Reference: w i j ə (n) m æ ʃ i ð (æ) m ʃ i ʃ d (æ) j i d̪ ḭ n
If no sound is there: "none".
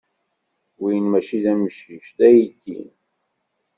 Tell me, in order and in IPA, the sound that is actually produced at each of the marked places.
n, æ, æ

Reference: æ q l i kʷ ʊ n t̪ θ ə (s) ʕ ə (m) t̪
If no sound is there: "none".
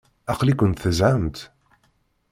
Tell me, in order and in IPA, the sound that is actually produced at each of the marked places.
z, m

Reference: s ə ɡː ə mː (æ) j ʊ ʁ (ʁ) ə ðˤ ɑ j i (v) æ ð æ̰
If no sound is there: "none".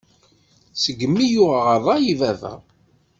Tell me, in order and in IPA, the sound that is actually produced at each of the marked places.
i, ʁ, v

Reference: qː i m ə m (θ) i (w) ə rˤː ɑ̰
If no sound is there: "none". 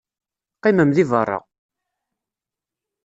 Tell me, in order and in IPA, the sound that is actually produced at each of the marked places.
ð, v

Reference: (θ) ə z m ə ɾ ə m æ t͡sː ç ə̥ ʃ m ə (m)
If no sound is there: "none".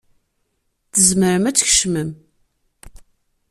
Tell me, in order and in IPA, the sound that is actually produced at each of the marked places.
θ, m

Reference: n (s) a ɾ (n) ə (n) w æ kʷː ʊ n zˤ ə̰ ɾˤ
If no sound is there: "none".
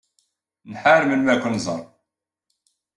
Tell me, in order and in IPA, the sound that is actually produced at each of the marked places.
ħ, m, n

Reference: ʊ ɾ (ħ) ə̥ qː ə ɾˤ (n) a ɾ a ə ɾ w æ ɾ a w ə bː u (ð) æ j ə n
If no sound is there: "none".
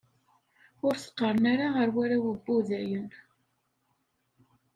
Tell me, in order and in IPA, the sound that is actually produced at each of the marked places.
θ, n, ð

